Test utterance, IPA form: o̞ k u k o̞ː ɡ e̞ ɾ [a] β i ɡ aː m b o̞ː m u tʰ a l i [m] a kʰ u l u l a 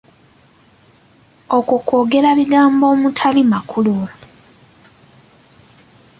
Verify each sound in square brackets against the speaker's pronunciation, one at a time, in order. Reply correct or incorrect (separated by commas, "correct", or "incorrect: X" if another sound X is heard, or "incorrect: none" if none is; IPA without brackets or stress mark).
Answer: correct, correct